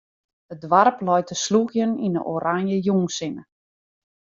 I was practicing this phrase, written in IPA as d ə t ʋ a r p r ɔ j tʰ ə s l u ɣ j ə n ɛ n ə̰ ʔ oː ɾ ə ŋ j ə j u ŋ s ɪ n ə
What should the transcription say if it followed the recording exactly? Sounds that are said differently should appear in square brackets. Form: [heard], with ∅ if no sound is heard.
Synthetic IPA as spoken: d ə [d] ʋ a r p [l] ɔ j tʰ ə s l u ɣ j ə n [i] n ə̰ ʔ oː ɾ [a] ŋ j ə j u ŋ s ɪ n ə